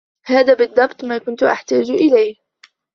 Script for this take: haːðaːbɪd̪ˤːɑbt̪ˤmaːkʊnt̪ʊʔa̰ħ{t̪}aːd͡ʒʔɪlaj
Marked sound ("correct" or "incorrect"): correct